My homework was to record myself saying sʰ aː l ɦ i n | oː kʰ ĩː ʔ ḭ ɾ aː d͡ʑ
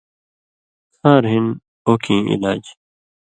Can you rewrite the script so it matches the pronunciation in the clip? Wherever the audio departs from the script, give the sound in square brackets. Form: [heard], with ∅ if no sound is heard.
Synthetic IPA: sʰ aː [ɾ] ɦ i n | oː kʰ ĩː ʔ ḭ [l] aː d͡ʑ